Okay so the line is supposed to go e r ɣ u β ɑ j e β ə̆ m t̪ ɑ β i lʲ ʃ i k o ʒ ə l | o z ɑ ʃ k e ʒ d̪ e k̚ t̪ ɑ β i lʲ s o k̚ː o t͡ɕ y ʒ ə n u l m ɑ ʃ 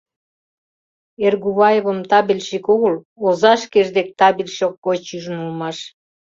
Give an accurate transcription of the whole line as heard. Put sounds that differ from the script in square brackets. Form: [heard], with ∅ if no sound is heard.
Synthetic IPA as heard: e r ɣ u β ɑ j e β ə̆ m t̪ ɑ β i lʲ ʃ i k o [ɣ] ə l | o z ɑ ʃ k e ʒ d̪ e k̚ t̪ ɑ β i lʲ [ʃ] o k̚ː o t͡ɕ y ʒ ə n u l m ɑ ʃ